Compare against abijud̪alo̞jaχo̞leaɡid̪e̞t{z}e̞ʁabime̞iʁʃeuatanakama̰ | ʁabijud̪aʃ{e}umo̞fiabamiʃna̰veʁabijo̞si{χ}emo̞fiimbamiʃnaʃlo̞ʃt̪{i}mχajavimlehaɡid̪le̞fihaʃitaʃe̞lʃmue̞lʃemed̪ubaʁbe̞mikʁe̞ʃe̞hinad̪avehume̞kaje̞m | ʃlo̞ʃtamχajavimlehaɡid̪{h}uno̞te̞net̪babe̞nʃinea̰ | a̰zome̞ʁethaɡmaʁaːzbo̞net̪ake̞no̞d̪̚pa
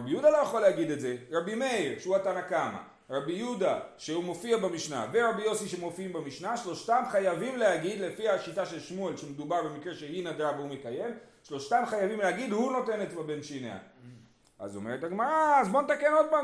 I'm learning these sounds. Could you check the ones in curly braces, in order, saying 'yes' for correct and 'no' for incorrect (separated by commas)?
yes, yes, no, no, yes